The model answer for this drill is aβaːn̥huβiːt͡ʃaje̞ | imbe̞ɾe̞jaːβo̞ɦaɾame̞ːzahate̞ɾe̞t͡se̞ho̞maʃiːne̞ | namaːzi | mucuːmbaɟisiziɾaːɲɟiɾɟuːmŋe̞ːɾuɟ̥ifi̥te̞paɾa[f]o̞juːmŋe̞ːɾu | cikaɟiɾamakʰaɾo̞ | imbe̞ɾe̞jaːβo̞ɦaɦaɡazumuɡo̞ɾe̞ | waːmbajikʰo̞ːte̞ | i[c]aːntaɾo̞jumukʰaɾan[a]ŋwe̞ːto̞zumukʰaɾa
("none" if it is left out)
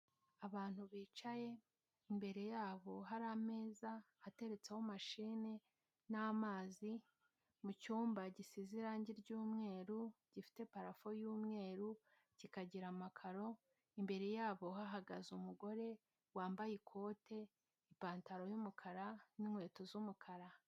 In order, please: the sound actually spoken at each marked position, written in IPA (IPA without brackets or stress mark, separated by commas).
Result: f, p, i